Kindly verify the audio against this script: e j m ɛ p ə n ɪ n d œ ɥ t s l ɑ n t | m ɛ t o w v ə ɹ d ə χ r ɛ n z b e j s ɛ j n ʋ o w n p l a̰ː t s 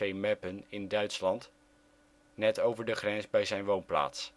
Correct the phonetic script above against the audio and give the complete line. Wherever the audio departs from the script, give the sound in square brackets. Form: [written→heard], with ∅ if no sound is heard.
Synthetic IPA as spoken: e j m ɛ p ə n ɪ n d œ ɥ t s l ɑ n t | [m→n] ɛ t o w v ə ɹ d ə χ r ɛ n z b [e→ɛ] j [s→z] ɛ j n ʋ o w n p l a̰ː t s